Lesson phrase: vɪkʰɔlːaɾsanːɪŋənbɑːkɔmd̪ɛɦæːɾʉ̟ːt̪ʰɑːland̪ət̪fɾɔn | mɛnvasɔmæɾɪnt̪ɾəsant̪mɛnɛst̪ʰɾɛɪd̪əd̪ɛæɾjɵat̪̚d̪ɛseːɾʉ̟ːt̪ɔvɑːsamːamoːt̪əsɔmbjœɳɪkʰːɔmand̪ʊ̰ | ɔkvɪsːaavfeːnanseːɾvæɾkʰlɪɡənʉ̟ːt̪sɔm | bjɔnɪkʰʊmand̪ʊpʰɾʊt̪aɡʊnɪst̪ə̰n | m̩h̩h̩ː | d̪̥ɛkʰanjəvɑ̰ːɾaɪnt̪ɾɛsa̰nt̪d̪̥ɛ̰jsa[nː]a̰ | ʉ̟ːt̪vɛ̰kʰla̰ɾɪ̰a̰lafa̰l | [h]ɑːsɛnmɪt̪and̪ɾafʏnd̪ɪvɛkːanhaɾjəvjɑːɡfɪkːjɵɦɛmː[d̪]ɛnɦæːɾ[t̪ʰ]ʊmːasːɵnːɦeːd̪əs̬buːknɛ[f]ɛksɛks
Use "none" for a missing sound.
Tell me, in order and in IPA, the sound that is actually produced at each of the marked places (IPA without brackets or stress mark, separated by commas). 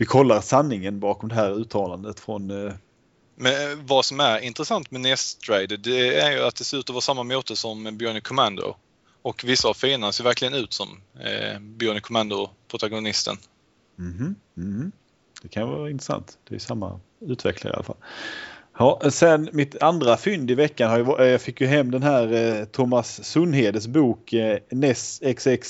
mː, h, d̪, t̪ʰ, s